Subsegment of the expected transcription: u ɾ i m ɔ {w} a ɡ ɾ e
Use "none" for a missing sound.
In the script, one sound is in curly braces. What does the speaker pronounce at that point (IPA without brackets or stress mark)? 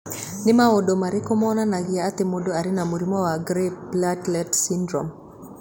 w